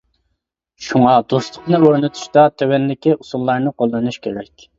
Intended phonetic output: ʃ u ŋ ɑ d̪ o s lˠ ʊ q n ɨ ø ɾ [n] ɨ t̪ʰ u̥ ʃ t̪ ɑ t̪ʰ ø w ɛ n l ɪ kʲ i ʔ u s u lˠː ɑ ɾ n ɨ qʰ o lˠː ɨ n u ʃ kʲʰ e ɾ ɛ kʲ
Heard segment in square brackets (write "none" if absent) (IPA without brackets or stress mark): n